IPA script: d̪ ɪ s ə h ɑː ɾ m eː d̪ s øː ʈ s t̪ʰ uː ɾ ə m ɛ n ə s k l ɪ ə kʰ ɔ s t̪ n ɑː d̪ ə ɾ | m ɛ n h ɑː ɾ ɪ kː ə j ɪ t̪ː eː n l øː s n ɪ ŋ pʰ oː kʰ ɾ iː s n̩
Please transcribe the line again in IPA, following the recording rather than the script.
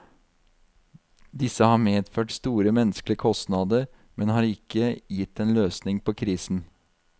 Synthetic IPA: d̪ ɪ s ə h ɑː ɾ m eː d̪ f øː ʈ s t̪ uː ɾ ə m ɛ n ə s k l ɪ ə kʰ ɔ s t̪ n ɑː d̪ ə ɾ | m ɛ n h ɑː ɾ ɪ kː ə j ɪ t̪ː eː n l øː s n ɪ ŋ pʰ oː kʰ ɾ iː s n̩